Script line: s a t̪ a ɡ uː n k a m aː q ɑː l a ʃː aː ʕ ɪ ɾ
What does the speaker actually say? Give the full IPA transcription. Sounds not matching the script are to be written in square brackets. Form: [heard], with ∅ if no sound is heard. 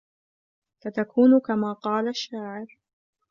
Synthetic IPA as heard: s a t̪ a [k] uː n k a m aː q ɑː l a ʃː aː ʕ ɪ ɾ